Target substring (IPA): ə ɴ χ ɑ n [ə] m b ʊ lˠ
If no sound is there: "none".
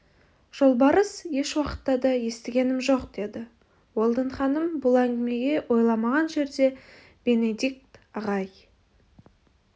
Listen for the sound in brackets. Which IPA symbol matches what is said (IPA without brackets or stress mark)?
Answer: ə